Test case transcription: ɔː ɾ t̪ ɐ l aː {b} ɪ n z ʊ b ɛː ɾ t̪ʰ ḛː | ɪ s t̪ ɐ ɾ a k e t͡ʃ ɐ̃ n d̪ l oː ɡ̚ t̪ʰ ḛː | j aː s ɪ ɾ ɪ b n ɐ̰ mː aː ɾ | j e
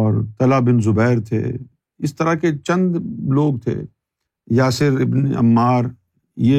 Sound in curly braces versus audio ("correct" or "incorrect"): correct